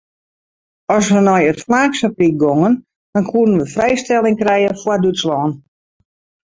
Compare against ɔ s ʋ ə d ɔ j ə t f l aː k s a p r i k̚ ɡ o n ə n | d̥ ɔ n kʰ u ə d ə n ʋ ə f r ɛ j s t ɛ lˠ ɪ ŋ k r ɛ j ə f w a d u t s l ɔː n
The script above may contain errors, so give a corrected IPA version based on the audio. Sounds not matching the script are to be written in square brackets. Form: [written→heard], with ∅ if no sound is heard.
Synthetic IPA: ɔ s ʋ ə [d→n] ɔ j ə t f l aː k s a p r i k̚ ɡ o [n→ŋ] ə n | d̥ ɔ n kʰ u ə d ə n ʋ ə f r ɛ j s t ɛ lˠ ɪ ŋ k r ɛ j ə f w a d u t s l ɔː n